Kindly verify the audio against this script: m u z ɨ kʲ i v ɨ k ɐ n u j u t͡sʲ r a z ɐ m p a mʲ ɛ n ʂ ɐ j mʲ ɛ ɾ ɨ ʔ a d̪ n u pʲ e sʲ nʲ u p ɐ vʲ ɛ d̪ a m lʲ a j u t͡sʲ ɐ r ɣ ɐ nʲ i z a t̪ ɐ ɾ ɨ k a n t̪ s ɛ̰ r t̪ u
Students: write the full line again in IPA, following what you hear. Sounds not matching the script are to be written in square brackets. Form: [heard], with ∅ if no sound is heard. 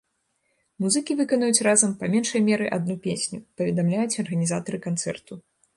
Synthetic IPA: m u z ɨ kʲ i v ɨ k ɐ n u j u t͡sʲ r a z ɐ m p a mʲ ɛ n ʂ ɐ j mʲ ɛ ɾ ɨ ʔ a d̪ n u pʲ e sʲ nʲ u p ɐ vʲ ɛ d̪ a m lʲ a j u t͡sʲ ɐ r ɣ ɐ nʲ i z a t̪ ɐ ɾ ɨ k a n t̪ s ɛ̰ r t̪ u